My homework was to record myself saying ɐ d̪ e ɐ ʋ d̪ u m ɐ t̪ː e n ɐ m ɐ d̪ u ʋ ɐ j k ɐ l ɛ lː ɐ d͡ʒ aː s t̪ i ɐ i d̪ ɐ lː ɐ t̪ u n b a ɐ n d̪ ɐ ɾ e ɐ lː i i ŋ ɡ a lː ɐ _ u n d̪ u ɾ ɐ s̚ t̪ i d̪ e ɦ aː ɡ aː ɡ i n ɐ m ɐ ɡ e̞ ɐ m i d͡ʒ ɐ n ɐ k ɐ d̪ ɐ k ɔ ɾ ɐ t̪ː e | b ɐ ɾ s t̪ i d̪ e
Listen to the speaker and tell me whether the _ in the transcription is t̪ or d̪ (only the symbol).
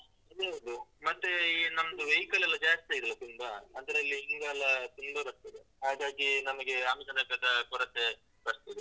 t̪